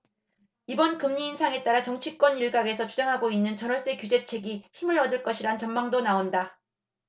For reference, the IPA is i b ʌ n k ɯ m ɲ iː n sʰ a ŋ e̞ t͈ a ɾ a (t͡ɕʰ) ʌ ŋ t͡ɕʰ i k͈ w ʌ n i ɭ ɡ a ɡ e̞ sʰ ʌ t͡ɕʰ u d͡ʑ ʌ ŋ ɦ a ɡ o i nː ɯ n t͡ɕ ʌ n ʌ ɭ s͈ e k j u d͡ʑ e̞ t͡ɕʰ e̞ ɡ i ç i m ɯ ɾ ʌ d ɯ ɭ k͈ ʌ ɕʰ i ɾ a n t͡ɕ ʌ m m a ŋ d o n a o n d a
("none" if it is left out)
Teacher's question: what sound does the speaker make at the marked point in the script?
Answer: t͡ɕ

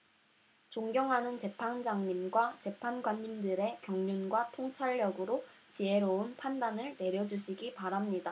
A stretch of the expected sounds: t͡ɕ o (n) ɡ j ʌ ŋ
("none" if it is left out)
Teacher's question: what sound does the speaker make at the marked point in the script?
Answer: ŋ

